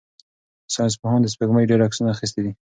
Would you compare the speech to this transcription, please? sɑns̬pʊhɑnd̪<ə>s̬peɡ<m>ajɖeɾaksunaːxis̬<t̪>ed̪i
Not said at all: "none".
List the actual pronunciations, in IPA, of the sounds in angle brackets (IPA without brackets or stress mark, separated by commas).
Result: ə, m, t̪